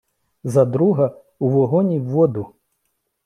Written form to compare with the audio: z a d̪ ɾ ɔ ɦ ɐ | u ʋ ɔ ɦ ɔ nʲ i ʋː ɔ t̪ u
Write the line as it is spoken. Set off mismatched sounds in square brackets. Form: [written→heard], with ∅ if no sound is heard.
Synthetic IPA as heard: z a d̪ ɾ [ɔ→u] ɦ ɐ | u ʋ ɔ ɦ ɔ nʲ i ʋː ɔ [t̪→d̪] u